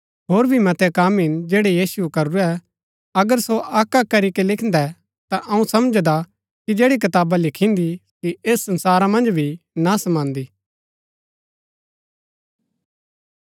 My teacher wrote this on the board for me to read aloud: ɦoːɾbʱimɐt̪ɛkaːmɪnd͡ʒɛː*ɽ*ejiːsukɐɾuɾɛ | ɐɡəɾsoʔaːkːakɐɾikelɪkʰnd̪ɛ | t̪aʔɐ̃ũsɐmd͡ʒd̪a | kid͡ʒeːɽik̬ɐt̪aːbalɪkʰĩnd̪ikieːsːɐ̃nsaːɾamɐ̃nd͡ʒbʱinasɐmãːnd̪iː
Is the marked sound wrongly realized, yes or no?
no